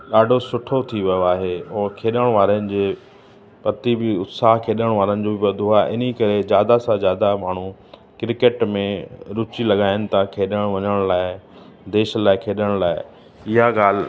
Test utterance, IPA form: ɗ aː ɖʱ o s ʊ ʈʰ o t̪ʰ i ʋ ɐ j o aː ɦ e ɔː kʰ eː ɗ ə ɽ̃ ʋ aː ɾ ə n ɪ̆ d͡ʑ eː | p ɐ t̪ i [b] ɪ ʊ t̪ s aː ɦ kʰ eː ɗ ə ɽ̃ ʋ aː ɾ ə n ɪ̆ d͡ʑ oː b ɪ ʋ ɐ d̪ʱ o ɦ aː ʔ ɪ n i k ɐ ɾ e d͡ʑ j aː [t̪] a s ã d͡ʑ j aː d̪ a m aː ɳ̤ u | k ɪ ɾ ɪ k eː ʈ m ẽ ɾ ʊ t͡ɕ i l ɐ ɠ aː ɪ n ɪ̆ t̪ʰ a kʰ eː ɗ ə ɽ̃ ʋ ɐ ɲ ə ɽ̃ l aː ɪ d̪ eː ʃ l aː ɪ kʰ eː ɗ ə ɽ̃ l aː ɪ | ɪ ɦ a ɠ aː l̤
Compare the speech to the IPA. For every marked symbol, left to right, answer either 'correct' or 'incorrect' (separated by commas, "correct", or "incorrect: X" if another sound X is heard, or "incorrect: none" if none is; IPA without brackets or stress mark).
correct, incorrect: d̪